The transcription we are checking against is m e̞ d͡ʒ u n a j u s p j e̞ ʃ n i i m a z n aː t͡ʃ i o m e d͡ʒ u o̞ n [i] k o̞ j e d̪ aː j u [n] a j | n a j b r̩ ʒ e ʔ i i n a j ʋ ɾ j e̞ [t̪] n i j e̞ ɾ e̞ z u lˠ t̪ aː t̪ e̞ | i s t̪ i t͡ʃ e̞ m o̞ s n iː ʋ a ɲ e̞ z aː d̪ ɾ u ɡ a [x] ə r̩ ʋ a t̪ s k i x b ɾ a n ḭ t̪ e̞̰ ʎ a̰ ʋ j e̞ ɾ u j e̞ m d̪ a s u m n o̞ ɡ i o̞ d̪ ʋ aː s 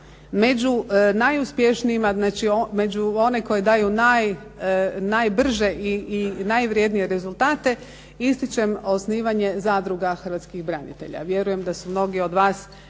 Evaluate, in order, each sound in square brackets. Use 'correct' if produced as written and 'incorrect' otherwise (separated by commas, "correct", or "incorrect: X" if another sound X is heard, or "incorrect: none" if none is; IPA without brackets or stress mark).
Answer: incorrect: e, correct, incorrect: d̪, correct